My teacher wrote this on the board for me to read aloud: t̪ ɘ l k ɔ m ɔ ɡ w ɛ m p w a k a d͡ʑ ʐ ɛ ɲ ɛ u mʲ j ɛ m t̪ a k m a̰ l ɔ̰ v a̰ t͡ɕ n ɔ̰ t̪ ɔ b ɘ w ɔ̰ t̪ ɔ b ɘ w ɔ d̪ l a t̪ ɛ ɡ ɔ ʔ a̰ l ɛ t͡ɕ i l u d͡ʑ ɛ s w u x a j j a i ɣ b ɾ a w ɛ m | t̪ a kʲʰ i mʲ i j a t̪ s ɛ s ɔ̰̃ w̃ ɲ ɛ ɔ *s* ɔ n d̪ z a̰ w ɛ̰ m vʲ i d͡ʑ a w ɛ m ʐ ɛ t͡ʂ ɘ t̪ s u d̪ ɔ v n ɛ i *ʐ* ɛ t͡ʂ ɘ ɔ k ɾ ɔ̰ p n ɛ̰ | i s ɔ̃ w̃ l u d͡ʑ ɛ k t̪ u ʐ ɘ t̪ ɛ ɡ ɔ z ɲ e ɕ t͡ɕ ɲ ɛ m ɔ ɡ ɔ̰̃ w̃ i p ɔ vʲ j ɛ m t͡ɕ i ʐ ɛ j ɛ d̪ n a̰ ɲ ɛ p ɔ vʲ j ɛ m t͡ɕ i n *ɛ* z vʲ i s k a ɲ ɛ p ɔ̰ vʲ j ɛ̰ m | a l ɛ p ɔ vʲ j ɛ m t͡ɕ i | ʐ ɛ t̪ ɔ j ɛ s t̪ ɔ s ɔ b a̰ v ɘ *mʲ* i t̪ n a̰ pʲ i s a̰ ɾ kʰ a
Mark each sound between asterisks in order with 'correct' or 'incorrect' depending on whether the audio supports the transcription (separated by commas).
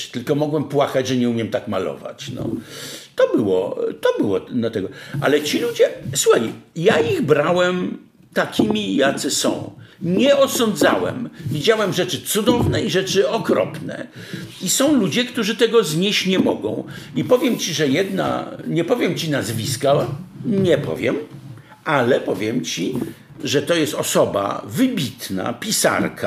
correct, correct, incorrect, incorrect